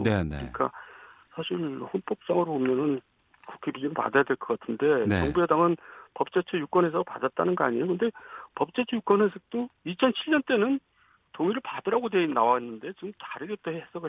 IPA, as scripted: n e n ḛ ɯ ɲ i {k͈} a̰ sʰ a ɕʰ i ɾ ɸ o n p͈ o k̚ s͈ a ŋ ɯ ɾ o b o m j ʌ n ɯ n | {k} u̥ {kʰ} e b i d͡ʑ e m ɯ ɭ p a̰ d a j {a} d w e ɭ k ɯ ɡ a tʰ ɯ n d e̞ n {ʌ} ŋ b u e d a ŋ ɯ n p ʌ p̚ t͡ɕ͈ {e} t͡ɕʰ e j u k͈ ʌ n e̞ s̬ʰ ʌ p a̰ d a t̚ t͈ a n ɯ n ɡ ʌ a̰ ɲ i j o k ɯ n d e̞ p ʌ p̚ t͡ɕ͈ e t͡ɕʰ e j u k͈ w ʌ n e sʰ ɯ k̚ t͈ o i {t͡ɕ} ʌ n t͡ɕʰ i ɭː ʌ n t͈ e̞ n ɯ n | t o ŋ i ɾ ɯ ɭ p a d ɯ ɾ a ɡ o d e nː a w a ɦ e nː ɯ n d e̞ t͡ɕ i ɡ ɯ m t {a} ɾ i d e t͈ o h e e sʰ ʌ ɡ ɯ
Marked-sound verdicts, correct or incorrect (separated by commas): correct, correct, correct, correct, correct, correct, incorrect, correct